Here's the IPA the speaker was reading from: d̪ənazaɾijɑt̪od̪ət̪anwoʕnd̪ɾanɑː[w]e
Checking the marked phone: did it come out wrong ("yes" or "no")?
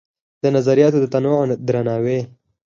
no